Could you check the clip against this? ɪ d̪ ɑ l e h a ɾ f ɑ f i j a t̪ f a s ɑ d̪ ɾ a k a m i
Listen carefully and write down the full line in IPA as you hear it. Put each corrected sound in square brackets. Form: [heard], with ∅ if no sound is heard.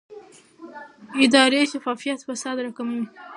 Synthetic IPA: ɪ d̪ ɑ [ɾ] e [ʃ] a [∅] f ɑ f i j a t̪ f a s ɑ d̪ ɾ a k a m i